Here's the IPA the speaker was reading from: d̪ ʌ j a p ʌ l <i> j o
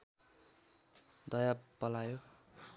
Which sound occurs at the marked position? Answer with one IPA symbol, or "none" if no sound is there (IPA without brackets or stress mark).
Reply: a